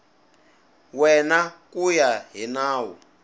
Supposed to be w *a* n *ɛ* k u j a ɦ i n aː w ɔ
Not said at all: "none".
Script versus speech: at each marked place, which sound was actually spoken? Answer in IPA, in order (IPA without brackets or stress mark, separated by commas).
ɛ, a